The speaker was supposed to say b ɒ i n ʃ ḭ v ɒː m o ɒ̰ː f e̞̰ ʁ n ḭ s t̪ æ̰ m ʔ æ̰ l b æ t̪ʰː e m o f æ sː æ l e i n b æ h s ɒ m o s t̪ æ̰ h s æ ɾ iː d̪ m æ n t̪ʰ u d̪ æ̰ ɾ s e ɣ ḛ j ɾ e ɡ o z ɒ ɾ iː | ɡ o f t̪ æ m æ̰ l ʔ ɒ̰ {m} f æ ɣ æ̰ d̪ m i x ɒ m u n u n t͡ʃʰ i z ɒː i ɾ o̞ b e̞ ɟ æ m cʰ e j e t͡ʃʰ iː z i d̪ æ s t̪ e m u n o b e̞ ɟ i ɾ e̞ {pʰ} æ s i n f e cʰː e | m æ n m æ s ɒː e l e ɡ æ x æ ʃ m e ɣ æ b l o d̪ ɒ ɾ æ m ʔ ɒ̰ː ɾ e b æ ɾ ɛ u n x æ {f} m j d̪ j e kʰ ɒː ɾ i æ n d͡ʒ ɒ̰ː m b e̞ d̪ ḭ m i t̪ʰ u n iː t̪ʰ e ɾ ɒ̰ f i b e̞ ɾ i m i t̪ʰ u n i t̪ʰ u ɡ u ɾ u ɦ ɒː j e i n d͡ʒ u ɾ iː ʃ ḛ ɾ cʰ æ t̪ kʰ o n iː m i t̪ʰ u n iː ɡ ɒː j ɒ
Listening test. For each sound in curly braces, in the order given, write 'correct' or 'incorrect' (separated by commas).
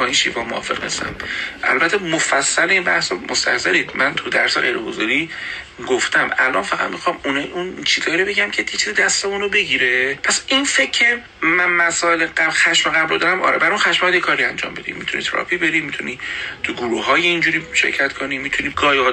incorrect, correct, incorrect